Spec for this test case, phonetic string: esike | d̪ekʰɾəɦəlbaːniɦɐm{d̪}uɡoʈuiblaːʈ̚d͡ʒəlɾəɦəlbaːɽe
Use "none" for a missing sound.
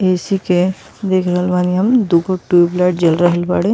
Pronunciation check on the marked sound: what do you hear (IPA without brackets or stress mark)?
d̪